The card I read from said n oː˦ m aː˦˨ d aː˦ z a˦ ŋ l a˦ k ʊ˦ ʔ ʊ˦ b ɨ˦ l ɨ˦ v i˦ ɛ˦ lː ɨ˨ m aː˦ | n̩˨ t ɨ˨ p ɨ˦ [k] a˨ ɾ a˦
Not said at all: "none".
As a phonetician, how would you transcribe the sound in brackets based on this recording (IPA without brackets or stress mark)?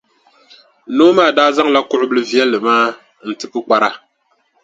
k͡p